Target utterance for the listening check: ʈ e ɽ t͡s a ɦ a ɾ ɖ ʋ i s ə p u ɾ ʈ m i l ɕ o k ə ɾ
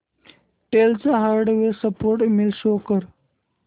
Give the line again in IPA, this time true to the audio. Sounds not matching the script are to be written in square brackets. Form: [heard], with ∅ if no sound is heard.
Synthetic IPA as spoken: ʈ e [l] t͡s a ɦ a ɾ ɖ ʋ [e] s ə p [o] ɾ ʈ m i l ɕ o k ə ɾ

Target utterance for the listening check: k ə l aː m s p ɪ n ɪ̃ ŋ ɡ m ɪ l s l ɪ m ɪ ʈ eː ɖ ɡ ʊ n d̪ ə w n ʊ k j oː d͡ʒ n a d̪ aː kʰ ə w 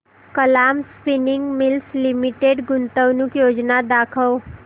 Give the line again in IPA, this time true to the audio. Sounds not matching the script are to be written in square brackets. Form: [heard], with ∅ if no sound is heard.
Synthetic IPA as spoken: k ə l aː m s p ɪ n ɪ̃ ŋ ɡ m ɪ l s l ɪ m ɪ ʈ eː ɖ ɡ ʊ n [t̪] ə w n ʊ k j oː d͡ʒ n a d̪ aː kʰ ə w

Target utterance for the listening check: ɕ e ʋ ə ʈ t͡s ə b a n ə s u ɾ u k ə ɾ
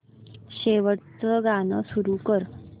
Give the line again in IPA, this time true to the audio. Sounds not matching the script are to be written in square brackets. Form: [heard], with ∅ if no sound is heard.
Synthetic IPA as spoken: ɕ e ʋ ə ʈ t͡s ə [ɡ] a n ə s u ɾ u k ə ɾ

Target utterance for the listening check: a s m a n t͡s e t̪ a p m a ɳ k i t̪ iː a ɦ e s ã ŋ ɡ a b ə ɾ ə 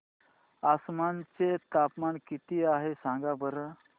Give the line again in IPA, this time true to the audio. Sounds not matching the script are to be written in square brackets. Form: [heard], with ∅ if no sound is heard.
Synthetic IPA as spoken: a s m a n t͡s e t̪ a p m a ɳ k i t̪ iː a ɦ e s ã ŋ ɡ a b ə ɾ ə

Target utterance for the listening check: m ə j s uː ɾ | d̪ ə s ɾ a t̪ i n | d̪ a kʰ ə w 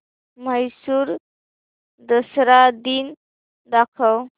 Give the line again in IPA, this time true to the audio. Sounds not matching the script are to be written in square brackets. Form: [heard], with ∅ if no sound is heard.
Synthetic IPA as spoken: m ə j s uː ɾ | d̪ ə s ɾ a [d̪] i n | d̪ a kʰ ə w

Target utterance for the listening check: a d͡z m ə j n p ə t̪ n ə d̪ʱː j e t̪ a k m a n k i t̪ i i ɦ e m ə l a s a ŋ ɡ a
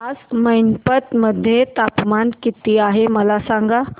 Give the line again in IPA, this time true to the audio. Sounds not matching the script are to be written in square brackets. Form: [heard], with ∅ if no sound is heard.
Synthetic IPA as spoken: a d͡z m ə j n p ə t̪ [m] ə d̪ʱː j e t̪ a [p] m a n k i t̪ i [a] ɦ e m ə l a s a ŋ ɡ a

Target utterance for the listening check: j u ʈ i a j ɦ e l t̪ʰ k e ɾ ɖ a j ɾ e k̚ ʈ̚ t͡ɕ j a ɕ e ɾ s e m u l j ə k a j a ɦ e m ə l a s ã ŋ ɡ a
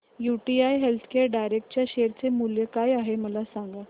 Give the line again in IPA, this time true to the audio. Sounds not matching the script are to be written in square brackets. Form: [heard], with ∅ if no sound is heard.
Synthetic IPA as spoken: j u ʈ i a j ɦ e l t̪ʰ k e ɾ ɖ a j ɾ e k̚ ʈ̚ t͡ɕ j a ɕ e ɾ [t͡s] e m u l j ə k a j a ɦ e m ə l a s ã ŋ ɡ a

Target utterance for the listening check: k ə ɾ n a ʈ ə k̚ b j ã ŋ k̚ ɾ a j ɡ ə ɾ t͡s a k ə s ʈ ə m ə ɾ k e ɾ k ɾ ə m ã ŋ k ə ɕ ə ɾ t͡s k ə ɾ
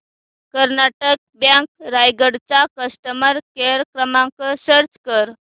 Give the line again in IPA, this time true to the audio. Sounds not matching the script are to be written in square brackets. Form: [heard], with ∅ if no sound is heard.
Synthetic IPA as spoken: k ə ɾ n a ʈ ə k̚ b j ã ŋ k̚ ɾ a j ɡ ə [ɽ] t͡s a k ə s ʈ ə m ə ɾ k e ɾ k ɾ ə m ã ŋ k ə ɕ ə ɾ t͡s k ə ɾ

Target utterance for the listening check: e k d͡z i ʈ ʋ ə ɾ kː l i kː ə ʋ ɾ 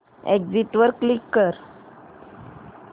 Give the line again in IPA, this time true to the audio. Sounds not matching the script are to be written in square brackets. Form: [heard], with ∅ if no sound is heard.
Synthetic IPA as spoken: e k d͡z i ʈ ʋ ə ɾ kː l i kː ə [∅] ɾ

